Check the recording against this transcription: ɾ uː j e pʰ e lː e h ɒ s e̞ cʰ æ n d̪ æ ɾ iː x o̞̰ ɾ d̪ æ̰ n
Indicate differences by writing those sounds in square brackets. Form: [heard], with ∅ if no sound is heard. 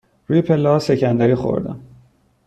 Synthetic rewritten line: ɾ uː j e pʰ e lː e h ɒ s e̞ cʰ æ n d̪ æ ɾ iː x o̞̰ ɾ d̪ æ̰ [m]